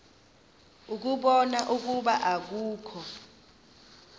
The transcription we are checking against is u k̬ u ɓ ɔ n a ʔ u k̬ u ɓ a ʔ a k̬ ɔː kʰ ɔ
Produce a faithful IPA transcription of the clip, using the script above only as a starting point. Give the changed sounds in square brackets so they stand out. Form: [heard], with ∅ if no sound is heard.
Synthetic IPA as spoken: u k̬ u ɓ ɔ n a ʔ u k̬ u ɓ a ʔ a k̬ [uː] kʰ ɔ